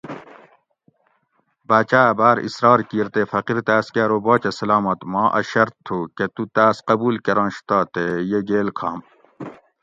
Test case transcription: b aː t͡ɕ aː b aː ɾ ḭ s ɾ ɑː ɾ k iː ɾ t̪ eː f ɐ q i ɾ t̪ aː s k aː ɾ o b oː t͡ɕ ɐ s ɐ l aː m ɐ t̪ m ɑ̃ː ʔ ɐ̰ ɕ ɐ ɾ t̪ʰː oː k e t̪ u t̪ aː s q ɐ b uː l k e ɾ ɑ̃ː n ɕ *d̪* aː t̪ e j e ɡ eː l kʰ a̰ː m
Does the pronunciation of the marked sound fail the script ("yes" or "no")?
yes